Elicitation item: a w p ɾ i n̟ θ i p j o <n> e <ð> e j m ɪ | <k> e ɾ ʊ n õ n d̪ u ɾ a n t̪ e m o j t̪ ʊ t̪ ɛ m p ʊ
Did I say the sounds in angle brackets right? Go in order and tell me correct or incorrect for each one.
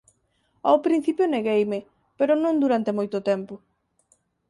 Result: correct, incorrect: ɣ, incorrect: p

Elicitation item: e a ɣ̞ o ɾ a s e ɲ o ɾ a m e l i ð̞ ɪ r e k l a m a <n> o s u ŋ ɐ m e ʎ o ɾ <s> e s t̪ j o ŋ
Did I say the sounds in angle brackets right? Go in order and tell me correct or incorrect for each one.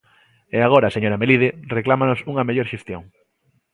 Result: correct, incorrect: ʃ

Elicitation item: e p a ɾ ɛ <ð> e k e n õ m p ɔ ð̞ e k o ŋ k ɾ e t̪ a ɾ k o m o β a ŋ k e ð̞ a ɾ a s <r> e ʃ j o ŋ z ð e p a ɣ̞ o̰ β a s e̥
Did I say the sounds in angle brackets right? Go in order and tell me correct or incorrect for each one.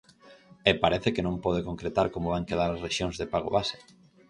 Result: incorrect: θ, correct

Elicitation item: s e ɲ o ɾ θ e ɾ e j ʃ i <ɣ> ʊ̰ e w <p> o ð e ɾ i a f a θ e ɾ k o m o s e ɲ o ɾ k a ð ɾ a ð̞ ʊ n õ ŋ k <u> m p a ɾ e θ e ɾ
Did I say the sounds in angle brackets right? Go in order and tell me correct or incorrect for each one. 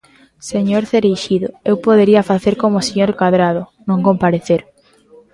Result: incorrect: ð, correct, incorrect: o

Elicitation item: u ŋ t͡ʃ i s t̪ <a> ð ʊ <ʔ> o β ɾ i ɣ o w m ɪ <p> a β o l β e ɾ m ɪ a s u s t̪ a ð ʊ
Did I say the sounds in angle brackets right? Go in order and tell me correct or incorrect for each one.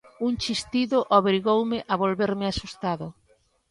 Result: incorrect: i, correct, incorrect: ʔ

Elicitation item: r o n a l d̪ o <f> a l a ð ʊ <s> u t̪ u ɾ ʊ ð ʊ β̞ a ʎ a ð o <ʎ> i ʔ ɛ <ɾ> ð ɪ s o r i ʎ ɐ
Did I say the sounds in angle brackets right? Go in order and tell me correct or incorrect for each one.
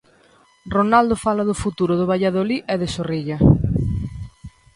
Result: correct, incorrect: f, incorrect: l, incorrect: none

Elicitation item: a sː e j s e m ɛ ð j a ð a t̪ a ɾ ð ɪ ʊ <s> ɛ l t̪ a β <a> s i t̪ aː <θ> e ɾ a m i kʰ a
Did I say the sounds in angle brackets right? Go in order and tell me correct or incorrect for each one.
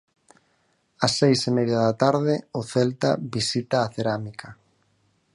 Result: incorrect: θ, incorrect: i, correct

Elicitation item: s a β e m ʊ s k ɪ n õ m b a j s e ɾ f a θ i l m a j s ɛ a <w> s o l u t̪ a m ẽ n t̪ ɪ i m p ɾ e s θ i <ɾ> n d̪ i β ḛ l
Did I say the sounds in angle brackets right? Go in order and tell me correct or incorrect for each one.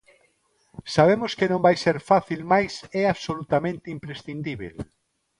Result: incorrect: β, incorrect: none

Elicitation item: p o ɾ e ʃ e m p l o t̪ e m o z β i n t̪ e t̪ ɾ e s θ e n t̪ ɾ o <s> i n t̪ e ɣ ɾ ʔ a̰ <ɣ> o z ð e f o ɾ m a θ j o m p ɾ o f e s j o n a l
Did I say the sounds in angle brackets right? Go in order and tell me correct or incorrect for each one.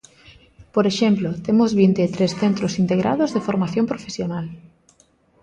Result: correct, incorrect: ð

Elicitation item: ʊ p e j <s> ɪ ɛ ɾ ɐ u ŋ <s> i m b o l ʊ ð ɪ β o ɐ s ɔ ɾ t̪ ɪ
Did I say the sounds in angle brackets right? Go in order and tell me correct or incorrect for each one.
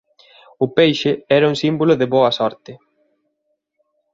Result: incorrect: ʃ, correct

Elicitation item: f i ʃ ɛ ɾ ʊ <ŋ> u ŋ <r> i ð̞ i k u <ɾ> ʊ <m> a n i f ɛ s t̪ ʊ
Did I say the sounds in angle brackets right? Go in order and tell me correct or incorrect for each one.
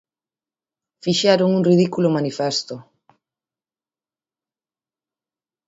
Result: correct, correct, incorrect: l, correct

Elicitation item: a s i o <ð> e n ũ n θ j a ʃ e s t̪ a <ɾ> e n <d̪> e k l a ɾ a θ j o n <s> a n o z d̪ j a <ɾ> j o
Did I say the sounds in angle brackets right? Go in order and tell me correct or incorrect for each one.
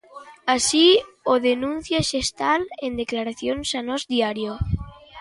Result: correct, incorrect: l, correct, correct, correct

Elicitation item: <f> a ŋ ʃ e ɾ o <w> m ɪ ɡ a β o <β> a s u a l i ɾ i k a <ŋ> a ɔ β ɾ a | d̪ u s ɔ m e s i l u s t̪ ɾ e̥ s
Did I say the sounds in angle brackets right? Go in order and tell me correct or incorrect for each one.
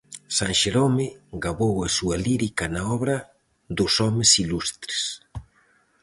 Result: incorrect: s, incorrect: none, incorrect: w, incorrect: n

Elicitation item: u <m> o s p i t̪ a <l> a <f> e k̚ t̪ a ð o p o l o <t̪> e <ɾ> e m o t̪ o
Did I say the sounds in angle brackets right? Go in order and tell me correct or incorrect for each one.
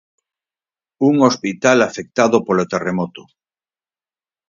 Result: incorrect: ŋ, correct, correct, correct, incorrect: r

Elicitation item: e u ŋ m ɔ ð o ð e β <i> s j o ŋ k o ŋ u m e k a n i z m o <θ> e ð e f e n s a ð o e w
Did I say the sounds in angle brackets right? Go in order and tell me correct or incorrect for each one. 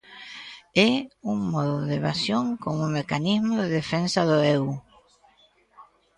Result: incorrect: a, incorrect: ð

